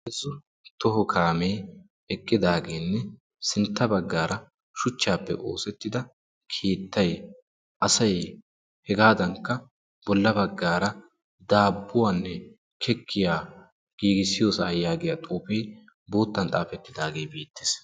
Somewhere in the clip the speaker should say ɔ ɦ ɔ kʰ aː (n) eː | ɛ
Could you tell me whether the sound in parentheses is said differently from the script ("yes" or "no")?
yes